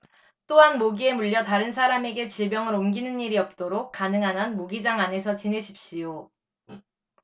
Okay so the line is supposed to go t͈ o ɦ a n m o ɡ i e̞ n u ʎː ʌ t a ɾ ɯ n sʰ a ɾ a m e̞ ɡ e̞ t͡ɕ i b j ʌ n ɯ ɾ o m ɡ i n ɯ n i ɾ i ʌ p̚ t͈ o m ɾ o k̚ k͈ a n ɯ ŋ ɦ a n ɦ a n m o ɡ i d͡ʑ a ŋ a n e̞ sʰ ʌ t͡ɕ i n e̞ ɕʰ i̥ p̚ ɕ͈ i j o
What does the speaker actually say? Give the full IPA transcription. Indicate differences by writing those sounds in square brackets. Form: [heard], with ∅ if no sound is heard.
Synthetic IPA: t͈ o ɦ a n m o ɡ i e̞ [m] u ʎː ʌ t a ɾ ɯ n sʰ a ɾ a m e̞ ɡ e̞ t͡ɕ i b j ʌ [ŋ] ɯ ɾ o m ɡ i n ɯ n i ɾ i ʌ p̚ t͈ o [∅] ɾ o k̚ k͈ a n ɯ ŋ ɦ a n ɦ a n m o ɡ i d͡ʑ a ŋ a n e̞ sʰ ʌ t͡ɕ i n e̞ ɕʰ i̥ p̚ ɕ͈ i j o

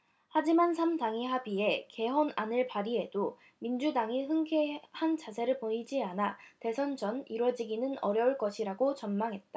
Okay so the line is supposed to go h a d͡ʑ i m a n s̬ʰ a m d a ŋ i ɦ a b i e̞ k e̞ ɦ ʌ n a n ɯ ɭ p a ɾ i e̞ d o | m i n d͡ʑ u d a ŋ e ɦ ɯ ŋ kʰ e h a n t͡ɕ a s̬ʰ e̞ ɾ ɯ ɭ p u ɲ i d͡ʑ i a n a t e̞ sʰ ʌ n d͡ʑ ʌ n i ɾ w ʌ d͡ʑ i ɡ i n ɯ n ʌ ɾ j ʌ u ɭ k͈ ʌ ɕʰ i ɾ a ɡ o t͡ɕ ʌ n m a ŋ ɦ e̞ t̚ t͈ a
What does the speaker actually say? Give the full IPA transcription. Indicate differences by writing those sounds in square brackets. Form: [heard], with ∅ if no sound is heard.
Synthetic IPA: h a d͡ʑ i m a n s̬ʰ a m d a ŋ i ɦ a b i e̞ k e̞ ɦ ʌ n a n ɯ ɭ p a ɾ i e̞ d o | m i n d͡ʑ u d a ŋ [i] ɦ ɯ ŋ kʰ e h a n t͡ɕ a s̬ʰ e̞ ɾ ɯ ɭ p [o] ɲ i d͡ʑ i a n a t e̞ sʰ ʌ n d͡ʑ ʌ n i ɾ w ʌ d͡ʑ i ɡ i n ɯ n ʌ ɾ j ʌ u ɭ k͈ ʌ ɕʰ i ɾ a ɡ o t͡ɕ ʌ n m a ŋ ɦ e̞ t̚ t͈ a

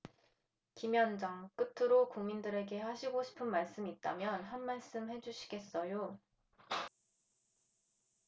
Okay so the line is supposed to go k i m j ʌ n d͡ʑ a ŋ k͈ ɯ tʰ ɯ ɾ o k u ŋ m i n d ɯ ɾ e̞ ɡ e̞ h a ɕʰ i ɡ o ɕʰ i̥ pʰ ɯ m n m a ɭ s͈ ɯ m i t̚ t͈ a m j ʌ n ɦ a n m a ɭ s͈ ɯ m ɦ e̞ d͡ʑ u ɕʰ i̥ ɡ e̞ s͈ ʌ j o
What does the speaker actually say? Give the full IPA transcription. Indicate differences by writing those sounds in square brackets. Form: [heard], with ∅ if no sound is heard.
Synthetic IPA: k i m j ʌ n d͡ʑ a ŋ k͈ ɯ tʰ ɯ ɾ o k u ŋ m i n d ɯ ɾ e̞ ɡ e̞ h a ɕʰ i ɡ o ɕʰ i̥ pʰ ɯ [∅] n m a ɭ s͈ ɯ m i t̚ t͈ a m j ʌ n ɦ a n m a ɭ s͈ ɯ m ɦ e̞ d͡ʑ u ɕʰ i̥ ɡ e̞ s͈ ʌ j o

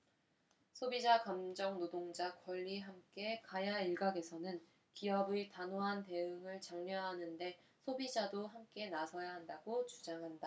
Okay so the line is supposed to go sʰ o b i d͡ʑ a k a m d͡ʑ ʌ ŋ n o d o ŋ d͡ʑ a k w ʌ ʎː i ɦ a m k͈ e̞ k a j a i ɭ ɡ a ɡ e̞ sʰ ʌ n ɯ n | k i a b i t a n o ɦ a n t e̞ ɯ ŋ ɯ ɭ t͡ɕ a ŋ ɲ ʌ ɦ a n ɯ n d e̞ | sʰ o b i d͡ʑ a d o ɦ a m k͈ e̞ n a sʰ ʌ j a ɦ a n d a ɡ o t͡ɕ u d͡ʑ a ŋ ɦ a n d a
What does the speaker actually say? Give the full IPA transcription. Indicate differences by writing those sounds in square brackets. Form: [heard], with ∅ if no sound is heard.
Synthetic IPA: sʰ o b i d͡ʑ a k a m d͡ʑ ʌ ŋ n o d o ŋ d͡ʑ a k w ʌ ʎː i ɦ a m k͈ e̞ k a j a i ɭ ɡ a ɡ e̞ sʰ ʌ n ɯ n | k i [ʌ] b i t a n o ɦ a n t e̞ ɯ ŋ ɯ ɭ t͡ɕ a ŋ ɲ ʌ ɦ a n ɯ n d e̞ | sʰ o b i d͡ʑ a d o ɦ a m k͈ e̞ n a sʰ ʌ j a ɦ a n d a ɡ o t͡ɕ u d͡ʑ a ŋ ɦ a n d a

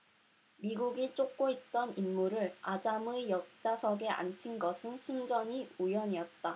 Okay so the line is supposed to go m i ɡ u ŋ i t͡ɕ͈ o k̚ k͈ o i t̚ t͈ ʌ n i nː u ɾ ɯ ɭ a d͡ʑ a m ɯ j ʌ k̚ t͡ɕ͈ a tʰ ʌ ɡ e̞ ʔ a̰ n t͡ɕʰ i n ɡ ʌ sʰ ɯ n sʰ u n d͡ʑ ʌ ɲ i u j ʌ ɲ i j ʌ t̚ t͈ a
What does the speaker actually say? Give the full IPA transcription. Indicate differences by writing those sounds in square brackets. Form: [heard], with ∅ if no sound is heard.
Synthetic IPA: m i ɡ u [ɡ] i t͡ɕ͈ o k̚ k͈ o i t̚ t͈ ʌ n i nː u ɾ ɯ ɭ a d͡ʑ a m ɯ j ʌ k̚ t͡ɕ͈ a [sʰ] ʌ ɡ e̞ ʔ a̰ n t͡ɕʰ i n ɡ ʌ sʰ ɯ n sʰ u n d͡ʑ ʌ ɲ i u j ʌ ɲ i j ʌ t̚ t͈ a

